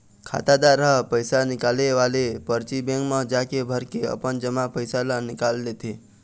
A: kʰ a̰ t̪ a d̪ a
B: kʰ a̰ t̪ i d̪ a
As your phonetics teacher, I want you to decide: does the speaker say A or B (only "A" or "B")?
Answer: A